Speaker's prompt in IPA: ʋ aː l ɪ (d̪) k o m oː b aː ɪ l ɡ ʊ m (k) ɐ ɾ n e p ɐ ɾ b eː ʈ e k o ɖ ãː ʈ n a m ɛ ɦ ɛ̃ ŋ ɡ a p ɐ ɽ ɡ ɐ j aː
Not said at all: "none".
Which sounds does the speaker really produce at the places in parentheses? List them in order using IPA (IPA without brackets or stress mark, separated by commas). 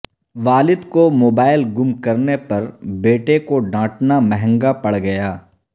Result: d̪, k